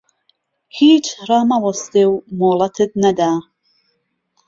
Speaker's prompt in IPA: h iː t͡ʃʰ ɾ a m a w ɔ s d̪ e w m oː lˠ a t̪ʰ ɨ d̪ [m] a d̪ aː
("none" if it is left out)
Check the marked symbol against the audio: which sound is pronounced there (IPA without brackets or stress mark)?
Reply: n